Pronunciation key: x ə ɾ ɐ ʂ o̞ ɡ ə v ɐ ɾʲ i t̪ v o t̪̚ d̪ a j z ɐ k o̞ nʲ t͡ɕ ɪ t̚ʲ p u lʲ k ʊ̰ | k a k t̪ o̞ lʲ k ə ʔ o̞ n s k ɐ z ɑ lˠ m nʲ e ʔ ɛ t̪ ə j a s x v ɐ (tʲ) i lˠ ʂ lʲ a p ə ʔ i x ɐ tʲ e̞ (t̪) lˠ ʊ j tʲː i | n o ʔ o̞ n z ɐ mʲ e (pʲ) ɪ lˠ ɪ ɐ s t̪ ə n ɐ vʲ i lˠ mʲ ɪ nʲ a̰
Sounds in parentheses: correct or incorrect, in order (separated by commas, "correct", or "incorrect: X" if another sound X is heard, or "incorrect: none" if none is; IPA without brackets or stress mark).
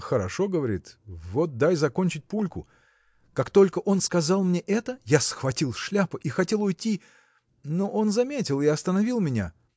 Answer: correct, incorrect: none, incorrect: tʲ